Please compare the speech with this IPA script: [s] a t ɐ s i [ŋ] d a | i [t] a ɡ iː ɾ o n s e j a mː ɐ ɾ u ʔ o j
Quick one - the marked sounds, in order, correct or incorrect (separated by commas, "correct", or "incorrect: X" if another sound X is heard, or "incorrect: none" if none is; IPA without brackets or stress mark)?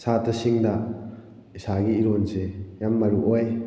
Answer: correct, correct, incorrect: s